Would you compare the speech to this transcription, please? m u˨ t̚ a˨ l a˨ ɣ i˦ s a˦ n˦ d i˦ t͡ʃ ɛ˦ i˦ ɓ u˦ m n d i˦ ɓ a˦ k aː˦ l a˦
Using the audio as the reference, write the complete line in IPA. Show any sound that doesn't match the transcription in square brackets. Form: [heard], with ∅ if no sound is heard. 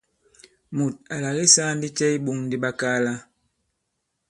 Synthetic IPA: m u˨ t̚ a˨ l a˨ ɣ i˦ s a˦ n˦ d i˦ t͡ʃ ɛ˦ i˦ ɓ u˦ [ŋ] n d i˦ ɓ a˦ k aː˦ l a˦